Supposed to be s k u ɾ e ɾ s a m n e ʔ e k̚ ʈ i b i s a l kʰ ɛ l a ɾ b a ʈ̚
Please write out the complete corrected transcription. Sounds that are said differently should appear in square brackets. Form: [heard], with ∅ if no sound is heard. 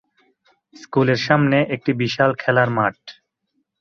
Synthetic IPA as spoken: s k u [l] e ɾ [ʃ] a m n e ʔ e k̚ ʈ i b i [ʃ] a l kʰ ɛ l a ɾ [m] a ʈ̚